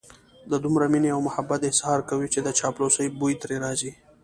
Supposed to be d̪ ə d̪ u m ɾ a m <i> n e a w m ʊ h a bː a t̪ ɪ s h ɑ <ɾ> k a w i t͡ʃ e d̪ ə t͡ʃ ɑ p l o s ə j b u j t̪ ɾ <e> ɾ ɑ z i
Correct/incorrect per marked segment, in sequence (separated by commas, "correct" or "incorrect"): correct, correct, correct